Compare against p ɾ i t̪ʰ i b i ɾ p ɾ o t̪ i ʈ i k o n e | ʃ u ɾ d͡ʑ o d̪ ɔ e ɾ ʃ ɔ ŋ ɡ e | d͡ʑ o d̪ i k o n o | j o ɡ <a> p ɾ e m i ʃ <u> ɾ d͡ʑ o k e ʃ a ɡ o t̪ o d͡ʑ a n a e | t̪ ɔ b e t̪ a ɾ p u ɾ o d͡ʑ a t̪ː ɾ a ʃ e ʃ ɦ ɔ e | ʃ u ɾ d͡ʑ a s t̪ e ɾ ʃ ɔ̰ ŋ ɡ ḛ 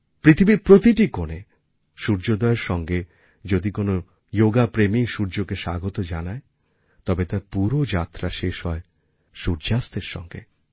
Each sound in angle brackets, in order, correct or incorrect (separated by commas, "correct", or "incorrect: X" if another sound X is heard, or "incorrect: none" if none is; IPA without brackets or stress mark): correct, correct